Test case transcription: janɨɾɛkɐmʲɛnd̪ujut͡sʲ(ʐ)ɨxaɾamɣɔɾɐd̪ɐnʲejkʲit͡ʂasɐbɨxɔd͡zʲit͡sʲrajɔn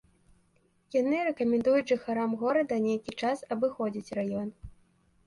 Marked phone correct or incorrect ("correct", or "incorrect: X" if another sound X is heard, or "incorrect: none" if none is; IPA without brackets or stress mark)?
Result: correct